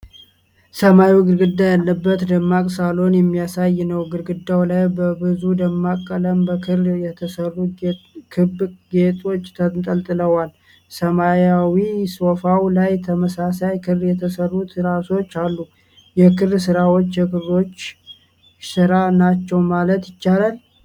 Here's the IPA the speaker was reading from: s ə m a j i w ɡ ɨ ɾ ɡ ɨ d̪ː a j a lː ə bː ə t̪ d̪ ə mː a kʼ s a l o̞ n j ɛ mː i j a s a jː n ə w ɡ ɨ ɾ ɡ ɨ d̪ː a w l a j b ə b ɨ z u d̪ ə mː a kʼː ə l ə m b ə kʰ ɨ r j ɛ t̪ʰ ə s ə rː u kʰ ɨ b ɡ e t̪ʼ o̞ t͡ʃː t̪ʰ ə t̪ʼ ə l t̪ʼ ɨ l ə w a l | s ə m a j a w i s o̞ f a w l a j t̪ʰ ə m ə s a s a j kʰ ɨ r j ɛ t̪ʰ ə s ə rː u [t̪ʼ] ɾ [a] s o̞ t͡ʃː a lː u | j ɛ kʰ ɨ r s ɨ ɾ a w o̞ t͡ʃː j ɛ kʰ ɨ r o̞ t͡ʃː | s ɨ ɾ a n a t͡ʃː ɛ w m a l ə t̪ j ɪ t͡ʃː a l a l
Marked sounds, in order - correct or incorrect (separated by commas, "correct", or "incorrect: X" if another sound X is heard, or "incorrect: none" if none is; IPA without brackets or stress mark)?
incorrect: t̪, correct